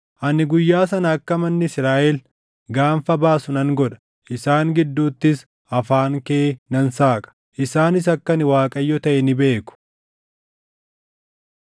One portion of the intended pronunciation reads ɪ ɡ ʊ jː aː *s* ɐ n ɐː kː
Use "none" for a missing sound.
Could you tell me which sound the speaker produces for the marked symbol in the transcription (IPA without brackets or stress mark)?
s